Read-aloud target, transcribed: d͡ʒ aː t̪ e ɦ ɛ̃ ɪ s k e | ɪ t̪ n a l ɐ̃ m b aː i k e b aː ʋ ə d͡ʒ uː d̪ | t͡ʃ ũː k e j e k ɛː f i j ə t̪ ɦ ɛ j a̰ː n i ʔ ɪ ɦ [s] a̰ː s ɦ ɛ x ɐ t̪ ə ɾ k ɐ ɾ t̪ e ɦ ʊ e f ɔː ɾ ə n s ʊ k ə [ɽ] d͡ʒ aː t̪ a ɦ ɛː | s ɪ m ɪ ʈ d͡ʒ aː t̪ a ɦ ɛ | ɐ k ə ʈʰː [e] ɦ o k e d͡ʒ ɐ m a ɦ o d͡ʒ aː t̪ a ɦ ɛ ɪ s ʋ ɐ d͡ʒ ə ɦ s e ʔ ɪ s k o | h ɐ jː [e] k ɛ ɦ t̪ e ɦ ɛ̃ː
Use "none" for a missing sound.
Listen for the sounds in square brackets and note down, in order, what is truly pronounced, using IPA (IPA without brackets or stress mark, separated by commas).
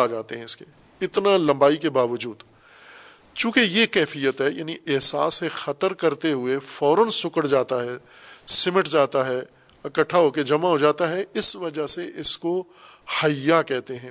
s, ɽ, a, a